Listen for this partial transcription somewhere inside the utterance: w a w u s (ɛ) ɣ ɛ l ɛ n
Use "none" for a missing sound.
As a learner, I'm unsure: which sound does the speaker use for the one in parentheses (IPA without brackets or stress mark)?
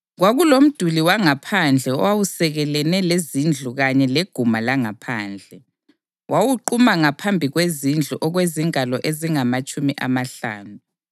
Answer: ɛ